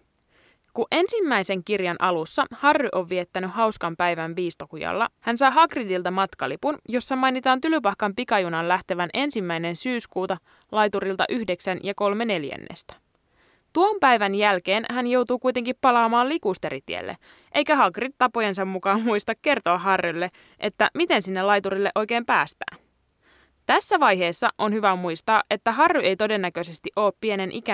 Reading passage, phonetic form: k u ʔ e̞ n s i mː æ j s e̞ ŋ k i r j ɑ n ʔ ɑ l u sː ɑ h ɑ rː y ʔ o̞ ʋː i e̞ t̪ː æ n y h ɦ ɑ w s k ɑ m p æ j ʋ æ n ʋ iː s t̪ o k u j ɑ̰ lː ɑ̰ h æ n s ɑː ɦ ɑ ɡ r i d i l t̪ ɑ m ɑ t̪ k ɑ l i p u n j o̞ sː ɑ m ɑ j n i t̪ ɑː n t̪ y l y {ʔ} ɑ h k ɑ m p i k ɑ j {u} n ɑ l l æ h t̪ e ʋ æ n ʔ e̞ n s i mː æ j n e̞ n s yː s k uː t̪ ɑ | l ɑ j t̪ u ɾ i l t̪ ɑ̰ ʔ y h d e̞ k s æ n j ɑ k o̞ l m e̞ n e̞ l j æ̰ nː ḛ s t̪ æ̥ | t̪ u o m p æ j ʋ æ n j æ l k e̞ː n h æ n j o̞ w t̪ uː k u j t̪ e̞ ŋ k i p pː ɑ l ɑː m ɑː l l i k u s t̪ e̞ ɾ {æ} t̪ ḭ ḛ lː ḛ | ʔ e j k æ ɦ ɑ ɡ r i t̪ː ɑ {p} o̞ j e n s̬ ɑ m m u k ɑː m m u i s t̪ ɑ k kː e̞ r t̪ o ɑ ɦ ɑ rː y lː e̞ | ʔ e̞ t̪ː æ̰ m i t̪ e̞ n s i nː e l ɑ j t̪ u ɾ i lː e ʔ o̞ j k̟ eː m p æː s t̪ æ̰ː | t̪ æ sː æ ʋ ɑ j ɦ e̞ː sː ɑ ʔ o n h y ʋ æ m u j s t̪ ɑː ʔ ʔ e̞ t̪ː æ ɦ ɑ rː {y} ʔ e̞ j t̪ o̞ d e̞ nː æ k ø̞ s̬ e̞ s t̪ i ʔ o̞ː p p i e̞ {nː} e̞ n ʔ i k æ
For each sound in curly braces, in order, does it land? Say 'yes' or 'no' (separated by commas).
no, yes, no, yes, yes, no